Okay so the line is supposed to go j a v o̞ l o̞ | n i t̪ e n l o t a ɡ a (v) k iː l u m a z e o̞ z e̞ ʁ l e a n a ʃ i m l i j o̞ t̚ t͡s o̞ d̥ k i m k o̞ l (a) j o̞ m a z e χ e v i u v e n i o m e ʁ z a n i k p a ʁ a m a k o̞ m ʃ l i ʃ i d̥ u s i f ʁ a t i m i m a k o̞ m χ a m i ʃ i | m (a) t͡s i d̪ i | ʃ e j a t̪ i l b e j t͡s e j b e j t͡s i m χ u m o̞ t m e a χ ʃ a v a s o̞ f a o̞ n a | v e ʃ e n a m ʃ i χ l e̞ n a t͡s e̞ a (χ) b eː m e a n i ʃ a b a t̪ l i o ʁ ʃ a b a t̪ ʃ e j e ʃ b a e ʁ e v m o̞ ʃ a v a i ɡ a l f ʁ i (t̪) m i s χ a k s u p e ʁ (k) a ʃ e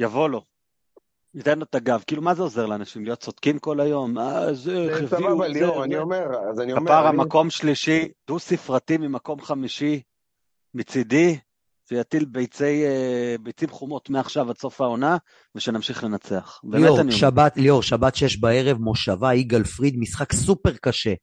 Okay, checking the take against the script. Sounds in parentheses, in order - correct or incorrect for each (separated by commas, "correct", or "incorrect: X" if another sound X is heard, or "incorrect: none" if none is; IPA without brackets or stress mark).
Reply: correct, correct, incorrect: i, correct, incorrect: d̪, correct